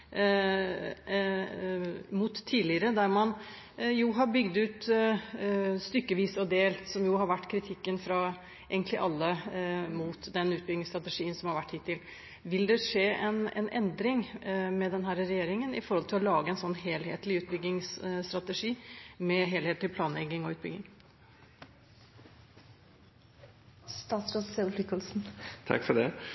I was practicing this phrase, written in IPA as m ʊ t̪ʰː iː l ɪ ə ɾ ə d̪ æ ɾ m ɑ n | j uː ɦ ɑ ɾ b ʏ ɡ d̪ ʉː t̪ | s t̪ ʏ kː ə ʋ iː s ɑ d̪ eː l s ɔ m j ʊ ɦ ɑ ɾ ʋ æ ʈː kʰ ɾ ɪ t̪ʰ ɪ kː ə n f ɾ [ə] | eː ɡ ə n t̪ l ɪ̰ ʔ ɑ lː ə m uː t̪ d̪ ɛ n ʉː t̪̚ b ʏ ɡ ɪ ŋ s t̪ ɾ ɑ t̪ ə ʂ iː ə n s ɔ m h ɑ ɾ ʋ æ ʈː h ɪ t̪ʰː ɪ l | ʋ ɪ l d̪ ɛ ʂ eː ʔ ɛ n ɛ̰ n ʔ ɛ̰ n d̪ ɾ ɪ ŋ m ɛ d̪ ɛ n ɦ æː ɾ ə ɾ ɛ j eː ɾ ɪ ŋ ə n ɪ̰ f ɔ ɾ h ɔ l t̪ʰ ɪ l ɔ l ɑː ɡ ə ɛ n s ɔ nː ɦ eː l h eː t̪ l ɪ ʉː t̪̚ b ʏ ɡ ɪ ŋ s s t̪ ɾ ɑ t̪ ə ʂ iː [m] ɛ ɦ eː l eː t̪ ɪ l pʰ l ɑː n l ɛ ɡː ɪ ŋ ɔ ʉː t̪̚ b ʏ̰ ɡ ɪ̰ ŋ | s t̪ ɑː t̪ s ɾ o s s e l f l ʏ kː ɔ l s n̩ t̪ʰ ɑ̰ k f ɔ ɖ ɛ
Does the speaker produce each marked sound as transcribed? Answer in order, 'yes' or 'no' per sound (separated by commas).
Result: no, yes